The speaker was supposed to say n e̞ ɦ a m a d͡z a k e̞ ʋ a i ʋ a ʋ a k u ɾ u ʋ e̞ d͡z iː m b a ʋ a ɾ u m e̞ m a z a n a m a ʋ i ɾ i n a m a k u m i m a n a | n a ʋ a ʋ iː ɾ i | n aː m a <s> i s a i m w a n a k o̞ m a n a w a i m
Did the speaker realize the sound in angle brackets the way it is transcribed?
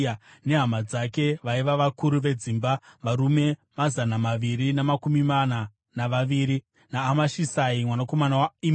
no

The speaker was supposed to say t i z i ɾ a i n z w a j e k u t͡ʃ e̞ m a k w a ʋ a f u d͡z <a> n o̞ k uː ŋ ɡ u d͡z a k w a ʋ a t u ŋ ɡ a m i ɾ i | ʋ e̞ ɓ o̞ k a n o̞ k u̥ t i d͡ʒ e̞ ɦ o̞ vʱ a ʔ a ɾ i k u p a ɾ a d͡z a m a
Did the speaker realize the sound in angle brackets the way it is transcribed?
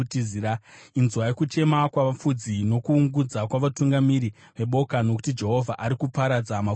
no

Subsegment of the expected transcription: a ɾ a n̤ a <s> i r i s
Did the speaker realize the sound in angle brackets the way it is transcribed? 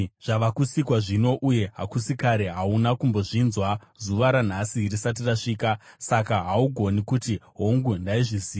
yes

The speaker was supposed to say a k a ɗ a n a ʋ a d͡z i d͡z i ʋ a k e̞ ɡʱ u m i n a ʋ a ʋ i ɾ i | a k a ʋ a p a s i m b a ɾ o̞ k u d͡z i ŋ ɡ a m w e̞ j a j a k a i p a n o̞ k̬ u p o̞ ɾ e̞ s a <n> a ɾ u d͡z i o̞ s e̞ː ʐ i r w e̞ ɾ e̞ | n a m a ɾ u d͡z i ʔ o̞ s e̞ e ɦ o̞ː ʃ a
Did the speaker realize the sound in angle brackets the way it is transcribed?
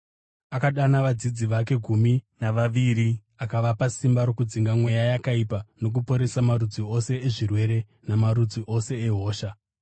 no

